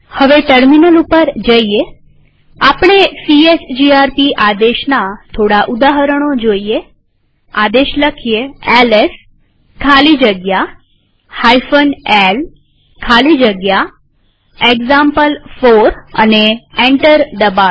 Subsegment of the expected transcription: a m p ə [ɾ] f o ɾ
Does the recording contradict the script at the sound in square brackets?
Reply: yes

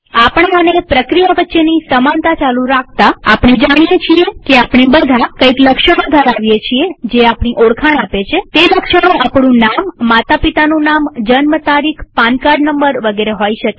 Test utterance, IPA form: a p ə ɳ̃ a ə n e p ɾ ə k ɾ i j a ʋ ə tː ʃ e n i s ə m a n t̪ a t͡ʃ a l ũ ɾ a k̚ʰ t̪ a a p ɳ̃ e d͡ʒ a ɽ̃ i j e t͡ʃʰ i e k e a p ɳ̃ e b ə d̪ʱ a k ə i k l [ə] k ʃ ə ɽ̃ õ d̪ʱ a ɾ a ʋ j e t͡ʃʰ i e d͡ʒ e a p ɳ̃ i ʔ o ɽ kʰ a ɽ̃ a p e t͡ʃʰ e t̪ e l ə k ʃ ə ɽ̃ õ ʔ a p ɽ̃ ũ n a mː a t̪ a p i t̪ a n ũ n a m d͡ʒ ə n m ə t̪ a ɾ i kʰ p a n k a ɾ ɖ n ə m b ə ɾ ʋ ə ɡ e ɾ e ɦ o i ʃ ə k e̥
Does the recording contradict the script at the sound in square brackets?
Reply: no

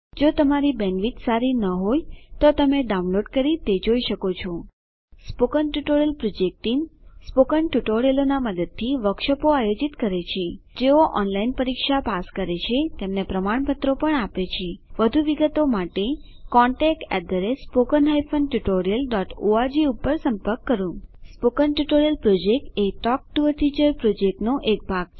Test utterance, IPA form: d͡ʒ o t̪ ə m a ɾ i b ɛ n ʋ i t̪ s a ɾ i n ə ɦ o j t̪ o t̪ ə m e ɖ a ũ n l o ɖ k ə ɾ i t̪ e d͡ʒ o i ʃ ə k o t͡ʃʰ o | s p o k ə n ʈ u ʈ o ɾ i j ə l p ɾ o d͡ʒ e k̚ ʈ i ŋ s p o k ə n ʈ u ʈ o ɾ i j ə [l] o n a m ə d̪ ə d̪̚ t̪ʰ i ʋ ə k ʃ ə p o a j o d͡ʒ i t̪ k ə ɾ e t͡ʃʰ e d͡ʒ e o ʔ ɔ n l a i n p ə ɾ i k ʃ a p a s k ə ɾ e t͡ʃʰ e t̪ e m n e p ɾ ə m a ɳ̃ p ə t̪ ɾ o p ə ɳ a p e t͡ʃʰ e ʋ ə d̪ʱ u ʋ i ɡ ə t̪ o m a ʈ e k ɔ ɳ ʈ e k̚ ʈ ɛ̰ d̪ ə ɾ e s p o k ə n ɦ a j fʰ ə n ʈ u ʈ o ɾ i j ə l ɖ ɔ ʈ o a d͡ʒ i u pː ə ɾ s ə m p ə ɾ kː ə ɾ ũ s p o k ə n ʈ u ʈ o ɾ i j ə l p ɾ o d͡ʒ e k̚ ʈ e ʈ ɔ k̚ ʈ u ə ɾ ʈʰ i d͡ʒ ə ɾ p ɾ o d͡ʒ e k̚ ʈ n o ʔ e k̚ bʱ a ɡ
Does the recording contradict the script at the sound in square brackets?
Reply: no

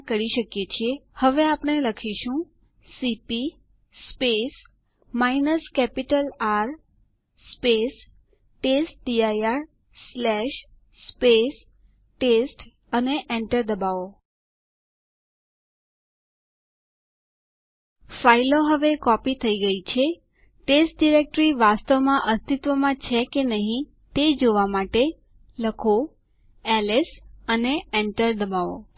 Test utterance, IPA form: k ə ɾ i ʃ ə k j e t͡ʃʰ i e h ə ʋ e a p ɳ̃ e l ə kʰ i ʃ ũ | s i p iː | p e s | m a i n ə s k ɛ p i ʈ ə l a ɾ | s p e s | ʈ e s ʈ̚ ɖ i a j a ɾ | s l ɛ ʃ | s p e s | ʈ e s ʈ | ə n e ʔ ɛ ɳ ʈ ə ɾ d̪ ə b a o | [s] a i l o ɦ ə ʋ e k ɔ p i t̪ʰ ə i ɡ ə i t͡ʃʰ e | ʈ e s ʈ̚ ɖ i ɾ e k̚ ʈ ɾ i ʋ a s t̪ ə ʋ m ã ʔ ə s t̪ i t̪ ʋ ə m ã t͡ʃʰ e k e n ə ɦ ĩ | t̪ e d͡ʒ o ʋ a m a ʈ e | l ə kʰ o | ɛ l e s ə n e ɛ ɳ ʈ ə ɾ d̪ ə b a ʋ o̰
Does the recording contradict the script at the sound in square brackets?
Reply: yes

